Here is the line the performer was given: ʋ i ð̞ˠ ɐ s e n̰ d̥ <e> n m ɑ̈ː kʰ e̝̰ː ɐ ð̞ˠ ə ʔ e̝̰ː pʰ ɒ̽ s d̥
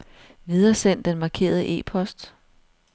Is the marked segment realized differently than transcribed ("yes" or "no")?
no